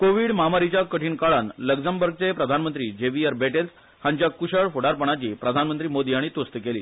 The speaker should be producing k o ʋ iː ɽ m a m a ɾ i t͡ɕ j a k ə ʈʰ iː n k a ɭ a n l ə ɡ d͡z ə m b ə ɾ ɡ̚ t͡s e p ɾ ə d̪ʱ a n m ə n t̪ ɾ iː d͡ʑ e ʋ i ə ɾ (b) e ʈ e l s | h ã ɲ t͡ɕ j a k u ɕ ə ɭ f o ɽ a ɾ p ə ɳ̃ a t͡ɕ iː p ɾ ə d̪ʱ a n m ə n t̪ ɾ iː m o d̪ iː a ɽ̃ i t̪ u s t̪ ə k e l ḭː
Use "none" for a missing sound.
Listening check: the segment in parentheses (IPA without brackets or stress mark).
b